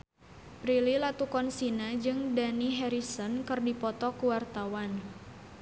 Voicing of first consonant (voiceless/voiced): voiceless